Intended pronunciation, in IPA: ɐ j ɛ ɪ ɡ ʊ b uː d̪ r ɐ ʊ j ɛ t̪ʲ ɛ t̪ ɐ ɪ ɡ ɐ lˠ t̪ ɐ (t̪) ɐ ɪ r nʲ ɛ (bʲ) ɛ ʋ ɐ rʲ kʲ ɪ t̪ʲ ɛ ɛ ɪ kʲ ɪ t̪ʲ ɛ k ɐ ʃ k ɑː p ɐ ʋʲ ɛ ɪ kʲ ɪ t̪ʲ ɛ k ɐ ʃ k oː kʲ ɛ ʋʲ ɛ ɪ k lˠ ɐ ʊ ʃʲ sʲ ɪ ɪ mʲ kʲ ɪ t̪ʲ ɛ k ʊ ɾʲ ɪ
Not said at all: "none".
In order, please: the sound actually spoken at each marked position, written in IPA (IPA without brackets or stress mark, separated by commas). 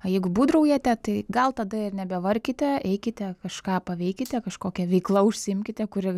d̪, bʲ